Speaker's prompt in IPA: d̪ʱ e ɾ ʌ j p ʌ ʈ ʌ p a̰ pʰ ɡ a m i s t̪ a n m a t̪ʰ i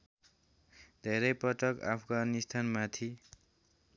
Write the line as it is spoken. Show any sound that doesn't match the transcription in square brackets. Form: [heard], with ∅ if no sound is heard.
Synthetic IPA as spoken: d̪ʱ e ɾ ʌ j p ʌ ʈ ʌ [k] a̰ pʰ ɡ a [n] i s [t̪ʰ] a n m a t̪ʰ i